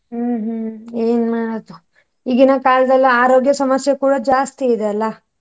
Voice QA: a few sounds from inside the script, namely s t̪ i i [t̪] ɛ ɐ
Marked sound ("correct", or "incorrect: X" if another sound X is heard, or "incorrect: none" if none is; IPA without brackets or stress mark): incorrect: d̪